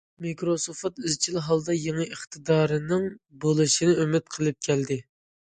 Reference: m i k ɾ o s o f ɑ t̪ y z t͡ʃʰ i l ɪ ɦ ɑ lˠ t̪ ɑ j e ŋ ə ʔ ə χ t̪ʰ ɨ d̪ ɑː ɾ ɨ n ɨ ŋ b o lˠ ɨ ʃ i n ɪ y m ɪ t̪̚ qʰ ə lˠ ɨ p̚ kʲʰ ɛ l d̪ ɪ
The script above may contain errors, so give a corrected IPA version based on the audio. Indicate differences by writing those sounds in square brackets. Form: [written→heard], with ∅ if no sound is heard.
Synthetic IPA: m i k ɾ o s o f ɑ t̪ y z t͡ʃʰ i l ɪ ɦ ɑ lˠ [t̪→d̪] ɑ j e ŋ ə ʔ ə χ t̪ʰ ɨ d̪ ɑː ɾ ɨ n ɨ ŋ b o lˠ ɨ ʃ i n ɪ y m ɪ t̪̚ qʰ ə lˠ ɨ p̚ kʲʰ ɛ l d̪ ɪ